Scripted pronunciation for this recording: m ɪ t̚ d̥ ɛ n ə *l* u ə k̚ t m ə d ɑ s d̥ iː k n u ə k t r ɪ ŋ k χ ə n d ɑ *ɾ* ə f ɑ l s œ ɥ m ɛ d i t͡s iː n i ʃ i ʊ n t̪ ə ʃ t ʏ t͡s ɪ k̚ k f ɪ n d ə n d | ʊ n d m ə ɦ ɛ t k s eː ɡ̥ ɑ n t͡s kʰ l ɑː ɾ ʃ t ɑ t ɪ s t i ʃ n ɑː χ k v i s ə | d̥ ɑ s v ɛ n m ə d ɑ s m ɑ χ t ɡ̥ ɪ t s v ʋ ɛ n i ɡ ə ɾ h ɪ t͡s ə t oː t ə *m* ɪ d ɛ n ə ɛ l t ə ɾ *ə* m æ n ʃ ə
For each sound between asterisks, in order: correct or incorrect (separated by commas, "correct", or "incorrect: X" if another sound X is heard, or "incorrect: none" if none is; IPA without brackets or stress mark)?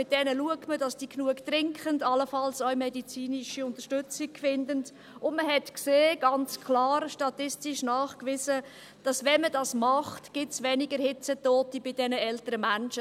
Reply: correct, incorrect: l, incorrect: b, correct